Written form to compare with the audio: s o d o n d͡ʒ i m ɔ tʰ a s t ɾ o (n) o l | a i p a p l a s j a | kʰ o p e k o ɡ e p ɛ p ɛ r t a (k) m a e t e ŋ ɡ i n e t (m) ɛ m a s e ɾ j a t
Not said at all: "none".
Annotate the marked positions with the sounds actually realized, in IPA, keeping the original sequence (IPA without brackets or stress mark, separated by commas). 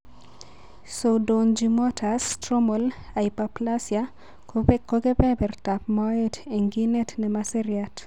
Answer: m, p, n